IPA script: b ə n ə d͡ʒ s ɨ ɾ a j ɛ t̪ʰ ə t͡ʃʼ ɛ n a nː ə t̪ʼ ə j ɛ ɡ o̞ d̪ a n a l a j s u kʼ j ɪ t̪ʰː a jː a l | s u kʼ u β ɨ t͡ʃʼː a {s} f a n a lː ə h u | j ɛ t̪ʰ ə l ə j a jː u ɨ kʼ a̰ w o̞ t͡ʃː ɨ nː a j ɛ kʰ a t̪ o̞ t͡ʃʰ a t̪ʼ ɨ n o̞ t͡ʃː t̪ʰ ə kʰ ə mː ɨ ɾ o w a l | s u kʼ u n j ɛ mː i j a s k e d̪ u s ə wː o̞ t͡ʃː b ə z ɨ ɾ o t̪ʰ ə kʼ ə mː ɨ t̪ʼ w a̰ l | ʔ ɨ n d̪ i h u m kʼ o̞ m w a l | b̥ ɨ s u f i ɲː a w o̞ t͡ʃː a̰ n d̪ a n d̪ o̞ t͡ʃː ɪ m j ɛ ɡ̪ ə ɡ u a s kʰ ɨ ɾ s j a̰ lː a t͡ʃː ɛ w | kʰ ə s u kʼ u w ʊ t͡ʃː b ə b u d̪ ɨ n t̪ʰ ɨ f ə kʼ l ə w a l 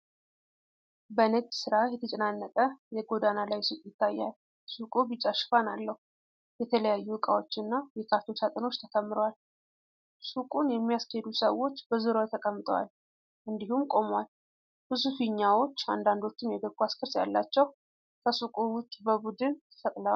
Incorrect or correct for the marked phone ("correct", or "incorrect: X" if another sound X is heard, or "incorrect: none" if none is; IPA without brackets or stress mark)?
incorrect: ʃ